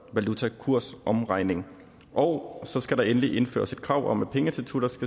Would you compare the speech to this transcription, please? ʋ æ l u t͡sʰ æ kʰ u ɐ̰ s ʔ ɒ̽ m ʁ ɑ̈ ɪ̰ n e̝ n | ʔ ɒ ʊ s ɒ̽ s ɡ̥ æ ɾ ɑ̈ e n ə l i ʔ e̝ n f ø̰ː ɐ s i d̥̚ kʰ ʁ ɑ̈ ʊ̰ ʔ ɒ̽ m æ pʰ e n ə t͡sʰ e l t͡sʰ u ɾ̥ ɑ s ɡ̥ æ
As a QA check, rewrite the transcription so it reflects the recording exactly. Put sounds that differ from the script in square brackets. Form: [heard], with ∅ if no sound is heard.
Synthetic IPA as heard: ʋ æ l u t͡sʰ æ kʰ u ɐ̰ s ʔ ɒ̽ m ʁ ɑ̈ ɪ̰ n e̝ [ŋ] | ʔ ɒ ʊ s ɒ̽ s ɡ̥ æ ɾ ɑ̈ e n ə l i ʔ e̝ n f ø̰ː ɐ s i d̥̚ kʰ ʁ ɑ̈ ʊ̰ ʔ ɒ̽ m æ pʰ e [ŋ] ə t͡sʰ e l t͡sʰ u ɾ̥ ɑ s ɡ̥ æ